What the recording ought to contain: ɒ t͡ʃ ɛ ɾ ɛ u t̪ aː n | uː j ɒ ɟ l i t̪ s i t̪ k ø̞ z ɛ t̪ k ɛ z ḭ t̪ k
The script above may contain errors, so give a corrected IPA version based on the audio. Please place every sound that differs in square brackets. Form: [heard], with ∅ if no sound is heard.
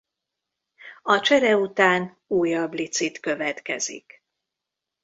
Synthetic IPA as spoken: ɒ t͡ʃ ɛ ɾ ɛ u t̪ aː n | uː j ɒ [b] l i t̪ s i t̪ k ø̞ [v] ɛ t̪ k ɛ z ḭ [∅] k

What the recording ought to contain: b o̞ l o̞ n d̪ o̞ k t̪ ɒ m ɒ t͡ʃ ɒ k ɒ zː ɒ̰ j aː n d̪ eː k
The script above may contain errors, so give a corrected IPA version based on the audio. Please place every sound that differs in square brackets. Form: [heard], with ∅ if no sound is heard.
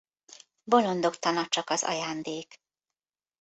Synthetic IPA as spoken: b o̞ l o̞ n d̪ o̞ k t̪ ɒ [n] ɒ t͡ʃ ɒ k ɒ [z] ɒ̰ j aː n d̪ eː k

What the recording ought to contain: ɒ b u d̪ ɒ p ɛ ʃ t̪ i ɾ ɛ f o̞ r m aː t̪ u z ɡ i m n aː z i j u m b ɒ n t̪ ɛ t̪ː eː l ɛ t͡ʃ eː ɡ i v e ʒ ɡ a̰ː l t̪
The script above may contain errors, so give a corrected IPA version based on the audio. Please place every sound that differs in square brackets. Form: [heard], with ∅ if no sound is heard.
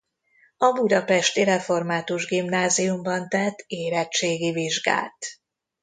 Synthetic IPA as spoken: ɒ b u d̪ ɒ p ɛ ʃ t̪ i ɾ ɛ f o̞ r m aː t̪ u [ʒ] ɡ i m n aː z i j u m b ɒ n t̪ ɛ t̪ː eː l ɛ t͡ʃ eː ɡ i v [i] ʒ ɡ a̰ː l t̪

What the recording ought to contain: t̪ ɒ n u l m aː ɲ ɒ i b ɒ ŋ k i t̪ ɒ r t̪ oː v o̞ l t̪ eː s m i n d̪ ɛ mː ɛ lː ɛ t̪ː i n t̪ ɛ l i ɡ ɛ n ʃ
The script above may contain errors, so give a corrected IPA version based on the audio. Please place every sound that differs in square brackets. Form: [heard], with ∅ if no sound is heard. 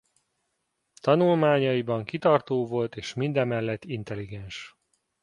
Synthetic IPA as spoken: t̪ ɒ n u l m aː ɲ ɒ i b ɒ ŋ k i t̪ ɒ r t̪ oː v o̞ l t̪ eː [ʃ] m i n d̪ ɛ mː ɛ lː ɛ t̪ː i n t̪ ɛ l i ɡ ɛ n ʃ

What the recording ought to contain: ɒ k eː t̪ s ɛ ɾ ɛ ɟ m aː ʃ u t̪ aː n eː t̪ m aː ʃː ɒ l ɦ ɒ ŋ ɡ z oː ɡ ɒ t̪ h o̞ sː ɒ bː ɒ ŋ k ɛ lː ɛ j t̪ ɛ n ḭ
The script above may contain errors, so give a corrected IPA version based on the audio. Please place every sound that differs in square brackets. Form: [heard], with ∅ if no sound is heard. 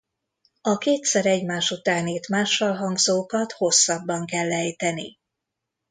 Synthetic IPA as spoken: ɒ k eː t̪ s ɛ ɾ ɛ ɟ m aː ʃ u t̪ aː n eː t̪ m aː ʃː ɒ l ɦ ɒ ŋ ɡ z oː [k] ɒ t̪ h o̞ sː ɒ bː ɒ ŋ k ɛ lː ɛ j t̪ ɛ n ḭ

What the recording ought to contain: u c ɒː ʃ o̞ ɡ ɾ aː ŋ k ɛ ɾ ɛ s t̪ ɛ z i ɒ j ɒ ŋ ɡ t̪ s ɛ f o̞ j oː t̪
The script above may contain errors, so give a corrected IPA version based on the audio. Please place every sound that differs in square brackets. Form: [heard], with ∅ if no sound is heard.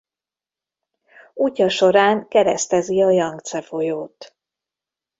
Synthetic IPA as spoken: u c [ɒ] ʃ o̞ [∅] ɾ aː ŋ k ɛ ɾ ɛ s t̪ ɛ z i ɒ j ɒ ŋ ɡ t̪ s ɛ f o̞ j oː t̪

